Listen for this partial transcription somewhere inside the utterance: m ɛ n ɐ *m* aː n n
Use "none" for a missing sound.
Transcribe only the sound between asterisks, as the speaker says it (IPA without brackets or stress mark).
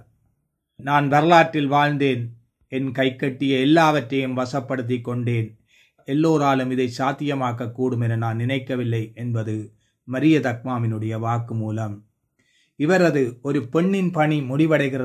n